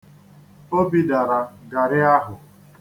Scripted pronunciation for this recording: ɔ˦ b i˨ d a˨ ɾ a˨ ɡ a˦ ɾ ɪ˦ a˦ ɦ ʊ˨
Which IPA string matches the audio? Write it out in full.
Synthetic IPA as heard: o˦ b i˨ d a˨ ɾ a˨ ɡ a˨ ɾ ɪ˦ a˦ ɦ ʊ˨